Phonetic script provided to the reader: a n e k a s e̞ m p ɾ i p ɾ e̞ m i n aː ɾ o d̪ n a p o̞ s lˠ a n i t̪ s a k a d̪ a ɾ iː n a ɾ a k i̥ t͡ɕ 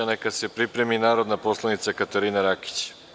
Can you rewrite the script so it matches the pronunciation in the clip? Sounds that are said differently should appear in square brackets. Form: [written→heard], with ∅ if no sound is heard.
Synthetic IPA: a n e k a s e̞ [m→∅] p ɾ i p ɾ e̞ m i n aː ɾ o d̪ n a p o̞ s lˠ a n i t̪ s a k a [d̪→t̪] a ɾ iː n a ɾ a k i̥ t͡ɕ